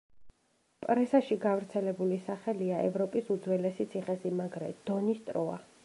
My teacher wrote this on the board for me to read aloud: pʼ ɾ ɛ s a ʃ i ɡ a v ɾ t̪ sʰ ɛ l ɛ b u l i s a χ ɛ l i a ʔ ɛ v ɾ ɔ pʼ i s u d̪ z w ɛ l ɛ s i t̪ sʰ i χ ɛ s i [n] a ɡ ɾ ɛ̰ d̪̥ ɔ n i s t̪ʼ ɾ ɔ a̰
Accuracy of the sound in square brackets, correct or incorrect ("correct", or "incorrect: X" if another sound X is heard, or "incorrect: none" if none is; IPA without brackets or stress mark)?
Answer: incorrect: m